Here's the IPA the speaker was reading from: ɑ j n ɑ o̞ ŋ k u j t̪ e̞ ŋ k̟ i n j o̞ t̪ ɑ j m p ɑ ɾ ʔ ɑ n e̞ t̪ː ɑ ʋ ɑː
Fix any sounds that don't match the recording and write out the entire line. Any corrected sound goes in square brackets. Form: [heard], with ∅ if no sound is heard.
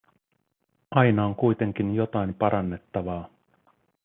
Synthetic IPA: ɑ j n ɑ o̞ ŋ k u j t̪ e̞ ŋ k̟ i n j o̞ t̪ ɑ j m p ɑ ɾ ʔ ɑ [nː] e̞ t̪ː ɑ ʋ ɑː